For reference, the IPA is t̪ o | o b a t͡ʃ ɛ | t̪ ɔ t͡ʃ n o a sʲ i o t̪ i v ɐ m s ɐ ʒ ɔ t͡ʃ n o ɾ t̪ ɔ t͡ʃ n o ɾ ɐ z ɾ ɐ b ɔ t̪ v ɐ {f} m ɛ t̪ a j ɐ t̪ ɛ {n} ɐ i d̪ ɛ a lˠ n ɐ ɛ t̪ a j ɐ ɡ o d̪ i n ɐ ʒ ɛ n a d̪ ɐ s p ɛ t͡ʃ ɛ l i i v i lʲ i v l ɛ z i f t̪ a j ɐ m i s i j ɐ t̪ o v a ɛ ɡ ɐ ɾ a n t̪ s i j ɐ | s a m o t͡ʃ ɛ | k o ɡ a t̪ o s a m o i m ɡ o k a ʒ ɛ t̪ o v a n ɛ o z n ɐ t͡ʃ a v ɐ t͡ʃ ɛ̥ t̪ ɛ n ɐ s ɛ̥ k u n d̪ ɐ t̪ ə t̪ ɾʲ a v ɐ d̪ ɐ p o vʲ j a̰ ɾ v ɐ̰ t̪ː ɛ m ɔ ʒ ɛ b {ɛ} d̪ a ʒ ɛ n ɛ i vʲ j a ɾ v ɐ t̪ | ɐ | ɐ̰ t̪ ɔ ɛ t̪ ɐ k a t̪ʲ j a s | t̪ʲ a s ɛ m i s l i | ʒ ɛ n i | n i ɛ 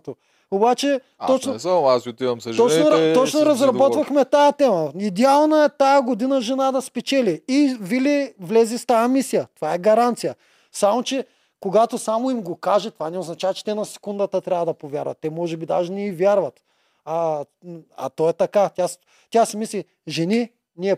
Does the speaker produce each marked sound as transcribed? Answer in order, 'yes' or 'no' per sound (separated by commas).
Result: no, no, no